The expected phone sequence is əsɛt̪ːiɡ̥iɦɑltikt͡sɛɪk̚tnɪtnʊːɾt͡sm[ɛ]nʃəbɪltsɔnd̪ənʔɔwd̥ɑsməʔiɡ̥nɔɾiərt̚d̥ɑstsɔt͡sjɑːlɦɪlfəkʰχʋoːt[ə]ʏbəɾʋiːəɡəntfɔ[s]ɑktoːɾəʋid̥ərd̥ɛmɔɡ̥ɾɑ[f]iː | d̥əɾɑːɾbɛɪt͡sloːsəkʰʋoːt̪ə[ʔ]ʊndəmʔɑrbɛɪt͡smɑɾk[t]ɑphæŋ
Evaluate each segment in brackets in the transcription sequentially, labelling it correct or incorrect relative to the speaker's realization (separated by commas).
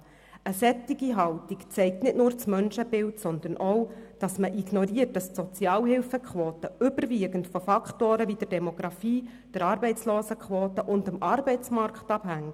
incorrect, correct, incorrect, correct, correct, correct